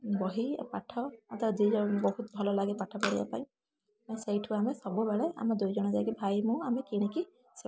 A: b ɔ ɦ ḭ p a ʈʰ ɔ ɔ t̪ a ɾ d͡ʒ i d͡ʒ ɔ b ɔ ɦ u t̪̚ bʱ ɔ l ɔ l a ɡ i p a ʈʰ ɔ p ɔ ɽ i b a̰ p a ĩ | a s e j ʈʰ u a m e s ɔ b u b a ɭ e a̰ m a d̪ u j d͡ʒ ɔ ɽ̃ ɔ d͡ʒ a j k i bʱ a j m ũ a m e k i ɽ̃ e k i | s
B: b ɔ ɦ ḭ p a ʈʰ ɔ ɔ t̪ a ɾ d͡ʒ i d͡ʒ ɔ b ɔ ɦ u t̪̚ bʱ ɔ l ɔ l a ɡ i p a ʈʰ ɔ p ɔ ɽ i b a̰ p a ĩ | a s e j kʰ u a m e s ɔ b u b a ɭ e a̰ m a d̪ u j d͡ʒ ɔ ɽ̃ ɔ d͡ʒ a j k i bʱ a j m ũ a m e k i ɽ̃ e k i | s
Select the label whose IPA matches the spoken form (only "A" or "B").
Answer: A